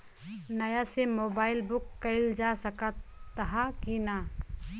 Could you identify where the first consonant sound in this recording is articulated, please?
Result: alveolar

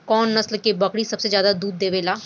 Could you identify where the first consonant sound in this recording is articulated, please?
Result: velar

